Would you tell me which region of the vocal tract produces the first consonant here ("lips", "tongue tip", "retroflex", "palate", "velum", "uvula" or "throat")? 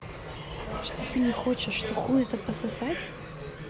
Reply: retroflex